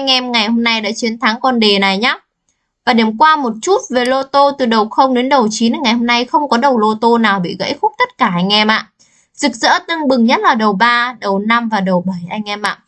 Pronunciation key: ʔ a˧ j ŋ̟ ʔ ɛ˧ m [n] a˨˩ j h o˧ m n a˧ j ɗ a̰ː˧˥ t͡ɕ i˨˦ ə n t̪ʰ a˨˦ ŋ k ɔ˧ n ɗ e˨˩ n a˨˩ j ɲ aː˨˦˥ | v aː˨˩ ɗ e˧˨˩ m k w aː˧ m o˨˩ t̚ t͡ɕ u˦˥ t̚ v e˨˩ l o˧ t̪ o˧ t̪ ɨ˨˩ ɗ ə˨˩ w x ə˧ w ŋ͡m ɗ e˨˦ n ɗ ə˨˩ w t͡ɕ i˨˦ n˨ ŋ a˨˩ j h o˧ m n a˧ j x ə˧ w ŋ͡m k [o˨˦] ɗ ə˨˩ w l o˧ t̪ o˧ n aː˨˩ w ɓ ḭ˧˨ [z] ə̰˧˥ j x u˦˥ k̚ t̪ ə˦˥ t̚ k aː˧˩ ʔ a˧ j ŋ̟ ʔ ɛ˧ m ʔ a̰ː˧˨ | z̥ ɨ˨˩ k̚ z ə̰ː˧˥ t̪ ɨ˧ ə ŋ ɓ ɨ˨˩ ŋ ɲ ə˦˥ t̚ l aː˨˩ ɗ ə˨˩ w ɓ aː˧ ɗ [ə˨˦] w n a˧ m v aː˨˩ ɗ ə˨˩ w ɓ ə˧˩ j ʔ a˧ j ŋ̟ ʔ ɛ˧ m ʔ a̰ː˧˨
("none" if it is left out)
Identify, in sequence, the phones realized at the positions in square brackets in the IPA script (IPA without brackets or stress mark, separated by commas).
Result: ŋ, ɔ˨˦, ɣ, ə˨˩